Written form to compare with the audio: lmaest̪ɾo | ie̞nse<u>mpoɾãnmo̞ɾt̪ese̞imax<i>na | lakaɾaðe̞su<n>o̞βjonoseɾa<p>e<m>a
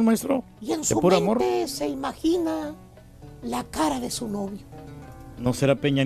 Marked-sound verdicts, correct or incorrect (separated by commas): correct, correct, correct, correct, incorrect